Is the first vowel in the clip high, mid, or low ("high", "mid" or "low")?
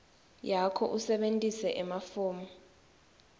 low